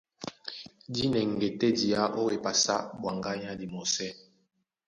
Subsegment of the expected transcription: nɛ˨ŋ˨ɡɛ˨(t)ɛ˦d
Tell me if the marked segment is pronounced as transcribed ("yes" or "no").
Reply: yes